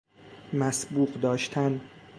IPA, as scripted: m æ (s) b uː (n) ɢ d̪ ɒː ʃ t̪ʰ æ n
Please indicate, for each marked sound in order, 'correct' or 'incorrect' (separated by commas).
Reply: correct, incorrect